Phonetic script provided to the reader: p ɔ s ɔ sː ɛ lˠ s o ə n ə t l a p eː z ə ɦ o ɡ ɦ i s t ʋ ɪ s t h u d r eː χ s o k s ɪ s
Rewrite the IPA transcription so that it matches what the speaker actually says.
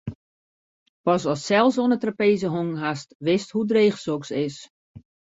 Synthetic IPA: p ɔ s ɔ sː ɛ lˠ s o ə n ə t r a p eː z ə ɦ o ŋ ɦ a s t ʋ ɪ s t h u d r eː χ s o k s ɪ s